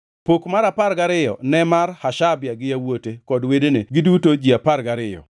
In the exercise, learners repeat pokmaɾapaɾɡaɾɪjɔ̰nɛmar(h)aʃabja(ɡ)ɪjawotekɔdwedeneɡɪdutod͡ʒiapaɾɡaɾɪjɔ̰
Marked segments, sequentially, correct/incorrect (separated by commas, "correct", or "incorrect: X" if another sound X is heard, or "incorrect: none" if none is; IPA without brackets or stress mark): correct, correct